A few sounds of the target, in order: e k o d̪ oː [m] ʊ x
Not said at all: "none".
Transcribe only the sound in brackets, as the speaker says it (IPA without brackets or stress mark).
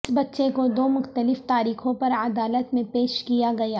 m